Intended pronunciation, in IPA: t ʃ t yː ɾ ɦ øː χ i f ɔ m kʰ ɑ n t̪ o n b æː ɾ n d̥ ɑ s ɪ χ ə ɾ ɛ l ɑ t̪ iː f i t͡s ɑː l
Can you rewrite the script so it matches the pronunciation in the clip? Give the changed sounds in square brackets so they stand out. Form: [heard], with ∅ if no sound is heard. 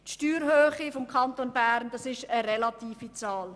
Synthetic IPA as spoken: t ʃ t yː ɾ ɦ øː χ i f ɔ m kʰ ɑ n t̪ o n b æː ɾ n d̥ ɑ s ɪ [ʃ] ə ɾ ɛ l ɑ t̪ iː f i t͡s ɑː l